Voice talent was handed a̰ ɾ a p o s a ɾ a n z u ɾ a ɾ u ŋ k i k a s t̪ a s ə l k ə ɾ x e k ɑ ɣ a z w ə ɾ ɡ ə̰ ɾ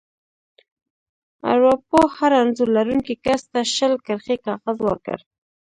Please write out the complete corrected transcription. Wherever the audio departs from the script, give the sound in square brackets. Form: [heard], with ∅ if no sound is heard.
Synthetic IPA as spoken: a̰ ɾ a p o [h] a ɾ a n z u [l] a ɾ u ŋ k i k a s t̪ a [ʃ] ə l k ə ɾ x e k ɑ ɣ a z w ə ɾ [k] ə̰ ɾ